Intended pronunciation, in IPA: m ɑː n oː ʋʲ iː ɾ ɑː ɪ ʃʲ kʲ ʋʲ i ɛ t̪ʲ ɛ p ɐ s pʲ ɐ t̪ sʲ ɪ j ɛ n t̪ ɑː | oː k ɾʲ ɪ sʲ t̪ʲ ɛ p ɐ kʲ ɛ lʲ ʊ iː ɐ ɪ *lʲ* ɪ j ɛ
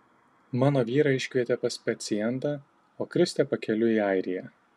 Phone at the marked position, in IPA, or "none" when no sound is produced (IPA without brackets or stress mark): ɾʲ